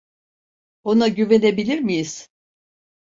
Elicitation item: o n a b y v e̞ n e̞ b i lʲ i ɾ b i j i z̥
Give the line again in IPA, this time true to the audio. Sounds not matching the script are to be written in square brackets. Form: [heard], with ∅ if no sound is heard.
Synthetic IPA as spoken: o n a [ɟ] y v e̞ n e̞ b i lʲ i ɾ [m] i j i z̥